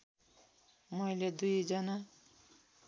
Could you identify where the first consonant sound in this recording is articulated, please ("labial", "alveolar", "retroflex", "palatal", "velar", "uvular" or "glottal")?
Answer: labial